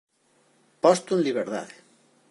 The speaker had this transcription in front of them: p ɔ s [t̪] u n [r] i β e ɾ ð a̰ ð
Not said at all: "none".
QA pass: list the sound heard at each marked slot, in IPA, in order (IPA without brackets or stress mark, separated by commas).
t̪, l